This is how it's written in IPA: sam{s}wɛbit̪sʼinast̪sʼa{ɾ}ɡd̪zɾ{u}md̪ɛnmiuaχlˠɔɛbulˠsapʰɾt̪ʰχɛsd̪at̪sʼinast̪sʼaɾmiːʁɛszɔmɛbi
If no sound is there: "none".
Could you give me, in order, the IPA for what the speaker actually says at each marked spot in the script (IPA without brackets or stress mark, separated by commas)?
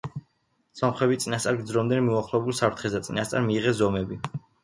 χ, ɾ, ɔ